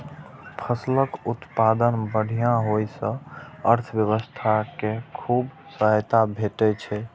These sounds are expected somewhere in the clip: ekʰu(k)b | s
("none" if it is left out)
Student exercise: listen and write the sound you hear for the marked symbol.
none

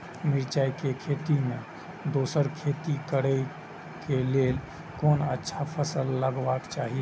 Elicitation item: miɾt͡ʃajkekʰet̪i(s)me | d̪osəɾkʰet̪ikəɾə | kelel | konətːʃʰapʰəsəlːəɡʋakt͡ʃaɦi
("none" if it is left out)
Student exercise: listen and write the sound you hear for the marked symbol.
none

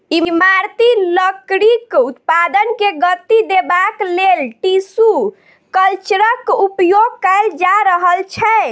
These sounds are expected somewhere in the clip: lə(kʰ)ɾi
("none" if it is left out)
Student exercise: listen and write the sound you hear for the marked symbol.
k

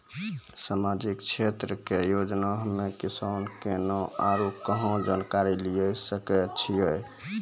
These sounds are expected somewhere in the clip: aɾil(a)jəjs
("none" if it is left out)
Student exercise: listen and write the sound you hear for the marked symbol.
i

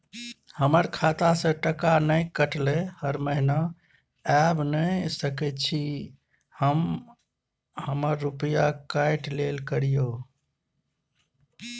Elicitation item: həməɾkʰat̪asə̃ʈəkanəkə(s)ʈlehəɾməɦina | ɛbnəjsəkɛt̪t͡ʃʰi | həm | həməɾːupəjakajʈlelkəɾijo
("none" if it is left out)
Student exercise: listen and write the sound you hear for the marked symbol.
none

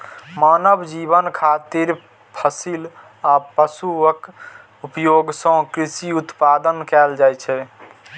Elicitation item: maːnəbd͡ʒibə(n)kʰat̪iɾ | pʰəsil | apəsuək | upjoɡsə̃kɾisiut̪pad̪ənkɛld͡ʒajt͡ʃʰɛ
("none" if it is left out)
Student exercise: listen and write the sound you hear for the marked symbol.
n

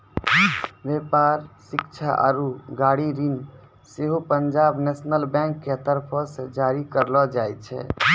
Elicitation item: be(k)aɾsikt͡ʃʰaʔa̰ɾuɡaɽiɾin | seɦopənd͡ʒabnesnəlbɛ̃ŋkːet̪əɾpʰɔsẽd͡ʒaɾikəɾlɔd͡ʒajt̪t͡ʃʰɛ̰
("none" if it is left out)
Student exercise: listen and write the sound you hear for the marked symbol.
p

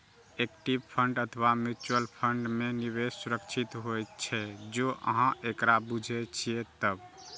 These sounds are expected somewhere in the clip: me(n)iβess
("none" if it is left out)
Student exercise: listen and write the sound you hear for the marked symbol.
n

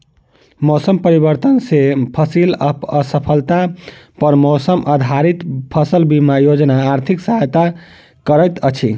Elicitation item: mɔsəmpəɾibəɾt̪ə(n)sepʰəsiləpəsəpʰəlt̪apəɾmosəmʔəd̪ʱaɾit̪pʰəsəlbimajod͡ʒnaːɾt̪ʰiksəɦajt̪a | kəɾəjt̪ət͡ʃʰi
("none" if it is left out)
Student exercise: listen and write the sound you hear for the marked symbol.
n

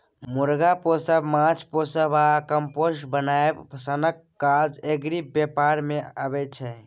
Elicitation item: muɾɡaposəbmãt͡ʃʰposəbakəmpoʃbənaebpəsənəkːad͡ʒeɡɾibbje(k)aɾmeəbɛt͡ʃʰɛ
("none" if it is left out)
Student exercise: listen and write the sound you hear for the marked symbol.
p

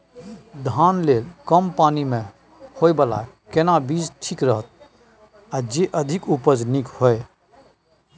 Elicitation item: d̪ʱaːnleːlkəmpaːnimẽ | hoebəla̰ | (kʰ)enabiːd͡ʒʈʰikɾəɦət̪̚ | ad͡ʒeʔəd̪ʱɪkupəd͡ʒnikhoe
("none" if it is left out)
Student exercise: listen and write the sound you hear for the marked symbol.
k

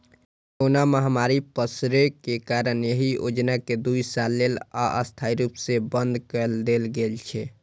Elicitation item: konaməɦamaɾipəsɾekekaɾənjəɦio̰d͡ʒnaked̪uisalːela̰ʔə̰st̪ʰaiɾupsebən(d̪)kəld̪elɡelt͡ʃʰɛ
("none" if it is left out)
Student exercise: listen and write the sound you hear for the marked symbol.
d̪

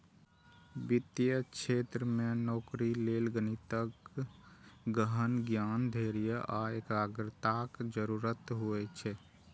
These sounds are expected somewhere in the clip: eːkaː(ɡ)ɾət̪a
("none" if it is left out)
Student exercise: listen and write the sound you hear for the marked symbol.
ɡ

